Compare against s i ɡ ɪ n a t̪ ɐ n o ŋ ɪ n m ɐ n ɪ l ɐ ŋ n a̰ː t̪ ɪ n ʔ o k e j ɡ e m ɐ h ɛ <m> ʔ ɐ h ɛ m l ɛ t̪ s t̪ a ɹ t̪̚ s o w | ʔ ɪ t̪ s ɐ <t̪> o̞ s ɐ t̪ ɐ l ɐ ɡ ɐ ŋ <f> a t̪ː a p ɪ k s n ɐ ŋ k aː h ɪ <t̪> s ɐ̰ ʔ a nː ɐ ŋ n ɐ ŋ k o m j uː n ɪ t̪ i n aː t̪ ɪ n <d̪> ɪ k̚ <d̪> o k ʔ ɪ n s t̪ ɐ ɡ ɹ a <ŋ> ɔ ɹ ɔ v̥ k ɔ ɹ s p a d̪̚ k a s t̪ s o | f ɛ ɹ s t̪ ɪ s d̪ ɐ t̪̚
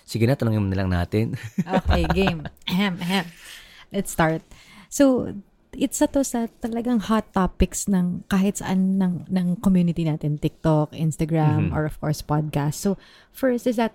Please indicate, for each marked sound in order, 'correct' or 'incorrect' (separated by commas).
correct, correct, incorrect, correct, incorrect, incorrect, incorrect